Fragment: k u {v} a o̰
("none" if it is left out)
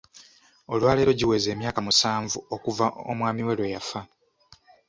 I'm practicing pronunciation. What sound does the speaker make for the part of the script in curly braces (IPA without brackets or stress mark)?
v